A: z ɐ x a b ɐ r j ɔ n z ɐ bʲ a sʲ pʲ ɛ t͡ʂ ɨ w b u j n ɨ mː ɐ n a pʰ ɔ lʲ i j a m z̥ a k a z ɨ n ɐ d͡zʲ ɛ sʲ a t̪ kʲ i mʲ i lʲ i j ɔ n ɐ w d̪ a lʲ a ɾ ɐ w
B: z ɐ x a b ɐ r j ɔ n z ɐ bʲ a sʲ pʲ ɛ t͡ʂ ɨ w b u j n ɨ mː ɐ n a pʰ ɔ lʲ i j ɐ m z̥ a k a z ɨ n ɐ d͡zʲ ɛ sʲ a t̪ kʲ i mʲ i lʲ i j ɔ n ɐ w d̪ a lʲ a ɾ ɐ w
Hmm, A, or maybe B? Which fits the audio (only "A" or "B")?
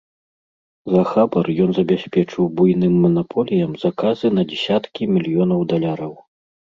B